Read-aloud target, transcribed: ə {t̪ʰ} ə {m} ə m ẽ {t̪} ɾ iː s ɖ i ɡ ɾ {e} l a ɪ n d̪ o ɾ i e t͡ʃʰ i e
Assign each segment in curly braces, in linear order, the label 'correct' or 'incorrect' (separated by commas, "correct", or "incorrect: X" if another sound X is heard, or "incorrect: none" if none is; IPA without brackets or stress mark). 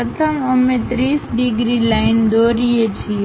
correct, correct, correct, incorrect: i